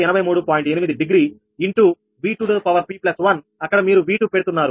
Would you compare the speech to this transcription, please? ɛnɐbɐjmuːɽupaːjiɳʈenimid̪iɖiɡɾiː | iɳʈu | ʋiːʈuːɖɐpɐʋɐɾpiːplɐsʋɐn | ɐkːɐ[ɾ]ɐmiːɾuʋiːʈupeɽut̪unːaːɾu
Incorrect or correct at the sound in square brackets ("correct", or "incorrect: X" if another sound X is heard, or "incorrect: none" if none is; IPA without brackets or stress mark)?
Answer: incorrect: ɽ